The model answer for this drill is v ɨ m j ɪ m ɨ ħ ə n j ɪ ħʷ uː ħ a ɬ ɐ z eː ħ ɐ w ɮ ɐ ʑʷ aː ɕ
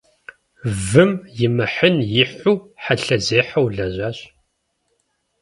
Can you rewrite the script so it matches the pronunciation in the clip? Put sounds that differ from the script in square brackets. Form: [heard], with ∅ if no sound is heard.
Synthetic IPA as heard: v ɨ m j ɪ m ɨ ħ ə n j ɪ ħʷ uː ħ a ɬ ɐ z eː ħ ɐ w ɮ ɐ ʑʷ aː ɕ